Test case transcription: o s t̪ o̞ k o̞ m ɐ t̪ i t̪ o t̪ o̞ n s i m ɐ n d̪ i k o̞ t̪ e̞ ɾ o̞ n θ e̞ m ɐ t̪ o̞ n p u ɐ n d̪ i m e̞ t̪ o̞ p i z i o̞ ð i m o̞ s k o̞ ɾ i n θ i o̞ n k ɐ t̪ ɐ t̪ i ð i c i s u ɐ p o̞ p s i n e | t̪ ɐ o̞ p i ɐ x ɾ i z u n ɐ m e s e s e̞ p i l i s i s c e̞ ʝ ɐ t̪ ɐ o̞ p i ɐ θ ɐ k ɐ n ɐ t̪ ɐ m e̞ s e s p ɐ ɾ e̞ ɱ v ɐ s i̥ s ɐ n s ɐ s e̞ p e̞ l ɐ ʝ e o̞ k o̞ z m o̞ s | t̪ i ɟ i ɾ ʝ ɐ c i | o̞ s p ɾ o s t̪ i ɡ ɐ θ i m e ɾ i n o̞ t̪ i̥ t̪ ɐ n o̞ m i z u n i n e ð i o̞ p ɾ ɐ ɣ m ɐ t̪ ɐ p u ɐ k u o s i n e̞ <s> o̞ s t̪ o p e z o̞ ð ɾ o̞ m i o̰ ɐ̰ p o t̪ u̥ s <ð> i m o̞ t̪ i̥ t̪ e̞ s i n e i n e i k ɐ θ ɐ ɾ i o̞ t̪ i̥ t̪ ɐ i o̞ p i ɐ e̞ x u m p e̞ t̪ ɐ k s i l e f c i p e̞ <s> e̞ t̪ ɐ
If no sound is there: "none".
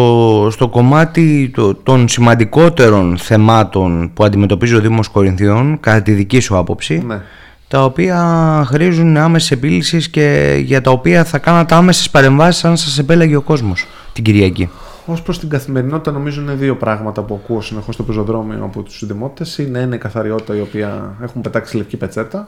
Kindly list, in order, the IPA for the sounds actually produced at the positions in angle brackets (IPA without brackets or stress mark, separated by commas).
x, ð, t͡s